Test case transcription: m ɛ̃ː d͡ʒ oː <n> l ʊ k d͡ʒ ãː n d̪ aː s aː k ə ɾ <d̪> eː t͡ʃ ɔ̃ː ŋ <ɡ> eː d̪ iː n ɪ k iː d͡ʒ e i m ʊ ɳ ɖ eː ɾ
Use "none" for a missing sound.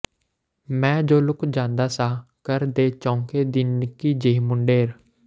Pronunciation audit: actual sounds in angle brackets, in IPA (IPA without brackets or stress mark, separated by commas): none, d̪, k